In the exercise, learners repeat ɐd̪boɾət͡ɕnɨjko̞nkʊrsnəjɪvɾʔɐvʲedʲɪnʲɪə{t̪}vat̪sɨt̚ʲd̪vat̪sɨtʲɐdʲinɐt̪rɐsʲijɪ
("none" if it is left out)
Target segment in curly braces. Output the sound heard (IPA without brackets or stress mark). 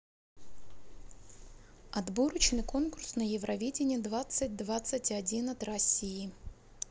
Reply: d̪